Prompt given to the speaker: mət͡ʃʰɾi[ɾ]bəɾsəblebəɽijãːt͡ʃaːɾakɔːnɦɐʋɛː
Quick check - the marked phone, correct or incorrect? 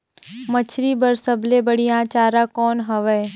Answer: incorrect